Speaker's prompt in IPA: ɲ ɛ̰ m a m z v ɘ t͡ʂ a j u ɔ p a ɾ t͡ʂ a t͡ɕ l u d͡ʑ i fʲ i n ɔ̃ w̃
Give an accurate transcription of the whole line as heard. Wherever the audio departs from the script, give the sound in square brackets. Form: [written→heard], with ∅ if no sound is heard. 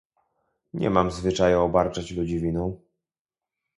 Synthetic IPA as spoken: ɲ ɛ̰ m a m z v ɘ t͡ʂ a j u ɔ [p→b] a ɾ t͡ʂ a t͡ɕ l u d͡ʑ i [fʲ→vʲ] i n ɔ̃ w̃